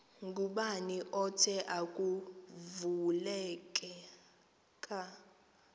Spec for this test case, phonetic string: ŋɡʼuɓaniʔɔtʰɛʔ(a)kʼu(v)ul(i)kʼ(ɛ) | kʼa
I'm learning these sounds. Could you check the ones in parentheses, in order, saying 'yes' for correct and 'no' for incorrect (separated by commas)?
yes, yes, no, yes